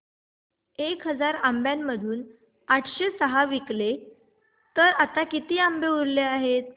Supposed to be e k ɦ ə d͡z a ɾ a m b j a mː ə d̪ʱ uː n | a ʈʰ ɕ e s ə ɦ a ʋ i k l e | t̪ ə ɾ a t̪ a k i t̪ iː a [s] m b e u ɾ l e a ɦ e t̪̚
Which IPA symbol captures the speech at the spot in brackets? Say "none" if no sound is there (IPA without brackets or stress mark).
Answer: none